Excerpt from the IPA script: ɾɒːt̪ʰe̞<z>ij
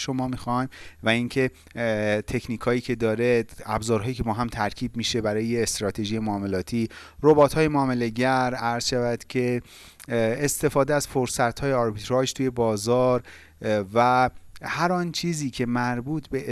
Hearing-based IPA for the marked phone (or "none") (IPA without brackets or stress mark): ʒ